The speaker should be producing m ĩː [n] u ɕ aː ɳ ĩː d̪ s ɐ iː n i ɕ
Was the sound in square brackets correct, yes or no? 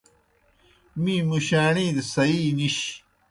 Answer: no